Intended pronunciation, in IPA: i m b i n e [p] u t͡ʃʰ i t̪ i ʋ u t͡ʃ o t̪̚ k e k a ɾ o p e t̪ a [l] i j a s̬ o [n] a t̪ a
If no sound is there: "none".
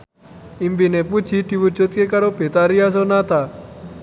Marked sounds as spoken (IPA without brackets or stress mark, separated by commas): p, ɾ, n